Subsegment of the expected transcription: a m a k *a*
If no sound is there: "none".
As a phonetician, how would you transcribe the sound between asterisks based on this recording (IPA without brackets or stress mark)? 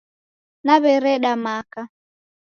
a